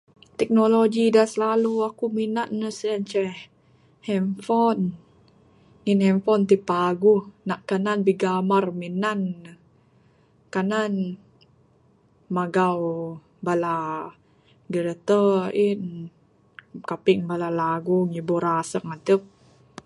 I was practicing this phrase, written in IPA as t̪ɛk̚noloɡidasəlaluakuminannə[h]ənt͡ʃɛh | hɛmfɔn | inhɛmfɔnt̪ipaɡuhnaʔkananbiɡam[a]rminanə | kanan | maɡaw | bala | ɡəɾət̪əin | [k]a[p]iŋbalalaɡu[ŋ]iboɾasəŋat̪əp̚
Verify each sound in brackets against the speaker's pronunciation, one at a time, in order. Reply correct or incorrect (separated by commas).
incorrect, correct, correct, correct, correct